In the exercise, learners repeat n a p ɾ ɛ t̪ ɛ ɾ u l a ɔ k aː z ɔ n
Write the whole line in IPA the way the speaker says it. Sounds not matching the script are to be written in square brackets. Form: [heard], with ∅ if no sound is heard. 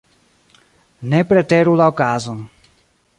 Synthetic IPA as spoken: n [ɛ] p ɾ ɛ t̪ ɛ ɾ u l a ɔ k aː z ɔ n